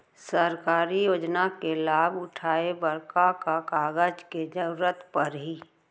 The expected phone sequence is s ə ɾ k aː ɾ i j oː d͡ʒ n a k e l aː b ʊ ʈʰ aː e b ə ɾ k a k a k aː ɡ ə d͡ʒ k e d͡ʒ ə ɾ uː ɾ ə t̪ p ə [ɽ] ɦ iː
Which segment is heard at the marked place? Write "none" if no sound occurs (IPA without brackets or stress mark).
ɾ